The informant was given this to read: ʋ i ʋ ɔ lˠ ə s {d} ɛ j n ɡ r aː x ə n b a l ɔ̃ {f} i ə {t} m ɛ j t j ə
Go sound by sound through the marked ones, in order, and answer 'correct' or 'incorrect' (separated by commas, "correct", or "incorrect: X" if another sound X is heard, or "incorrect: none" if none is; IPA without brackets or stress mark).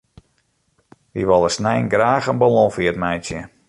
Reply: incorrect: n, correct, correct